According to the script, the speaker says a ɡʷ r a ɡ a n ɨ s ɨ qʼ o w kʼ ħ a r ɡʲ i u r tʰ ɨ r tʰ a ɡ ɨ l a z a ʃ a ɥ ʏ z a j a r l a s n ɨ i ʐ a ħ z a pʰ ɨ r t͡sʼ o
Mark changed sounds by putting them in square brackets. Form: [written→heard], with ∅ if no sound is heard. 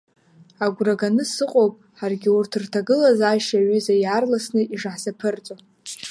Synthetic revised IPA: a ɡʷ r a ɡ a n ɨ s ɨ qʼ o w [kʼ→pʼ] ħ a r ɡʲ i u r tʰ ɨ r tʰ a ɡ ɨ l a z a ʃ a ɥ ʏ z a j a r l a s n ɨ i ʐ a ħ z a pʰ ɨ r t͡sʼ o